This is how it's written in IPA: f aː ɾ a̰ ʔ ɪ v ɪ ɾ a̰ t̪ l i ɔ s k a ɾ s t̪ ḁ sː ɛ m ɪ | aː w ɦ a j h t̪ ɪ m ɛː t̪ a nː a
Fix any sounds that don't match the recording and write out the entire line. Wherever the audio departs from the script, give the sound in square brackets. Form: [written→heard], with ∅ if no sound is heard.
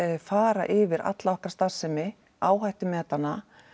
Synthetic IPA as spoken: f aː ɾ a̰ ʔ ɪ v ɪ ɾ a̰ t̪ l [i→a] ɔ [s→h] k a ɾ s t̪ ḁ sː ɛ m ɪ | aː w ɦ a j h t̪ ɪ m ɛː t̪ a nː a